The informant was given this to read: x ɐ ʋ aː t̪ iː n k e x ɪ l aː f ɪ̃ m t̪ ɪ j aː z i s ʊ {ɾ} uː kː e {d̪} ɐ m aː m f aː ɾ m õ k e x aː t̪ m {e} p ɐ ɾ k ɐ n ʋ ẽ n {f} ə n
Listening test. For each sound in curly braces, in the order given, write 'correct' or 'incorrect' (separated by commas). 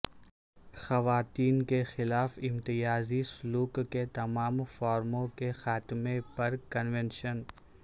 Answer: incorrect, incorrect, correct, incorrect